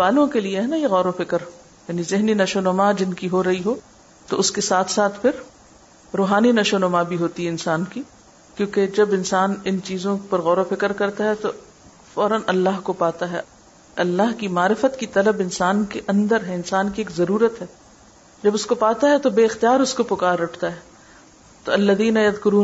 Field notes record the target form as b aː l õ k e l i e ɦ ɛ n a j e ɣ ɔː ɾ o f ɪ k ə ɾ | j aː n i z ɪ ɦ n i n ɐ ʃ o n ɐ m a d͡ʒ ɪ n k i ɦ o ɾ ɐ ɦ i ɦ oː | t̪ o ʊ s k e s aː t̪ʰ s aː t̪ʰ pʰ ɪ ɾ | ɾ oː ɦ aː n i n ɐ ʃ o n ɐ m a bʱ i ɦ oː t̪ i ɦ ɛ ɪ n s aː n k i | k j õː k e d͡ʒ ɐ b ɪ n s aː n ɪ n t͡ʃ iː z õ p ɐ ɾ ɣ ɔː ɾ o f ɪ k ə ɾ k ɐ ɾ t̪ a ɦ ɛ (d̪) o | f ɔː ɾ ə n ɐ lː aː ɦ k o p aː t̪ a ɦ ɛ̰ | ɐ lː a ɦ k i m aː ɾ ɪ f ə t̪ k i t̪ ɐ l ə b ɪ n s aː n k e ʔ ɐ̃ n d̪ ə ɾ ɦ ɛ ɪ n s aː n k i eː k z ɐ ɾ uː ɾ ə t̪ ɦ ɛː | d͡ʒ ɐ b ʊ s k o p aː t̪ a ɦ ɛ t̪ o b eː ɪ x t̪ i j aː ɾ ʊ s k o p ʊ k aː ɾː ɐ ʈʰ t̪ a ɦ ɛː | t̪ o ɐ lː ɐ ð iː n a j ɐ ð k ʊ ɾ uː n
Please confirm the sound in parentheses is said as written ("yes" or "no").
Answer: no